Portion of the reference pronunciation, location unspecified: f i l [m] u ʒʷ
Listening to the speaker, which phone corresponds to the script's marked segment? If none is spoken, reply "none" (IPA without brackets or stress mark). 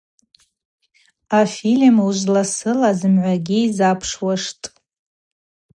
m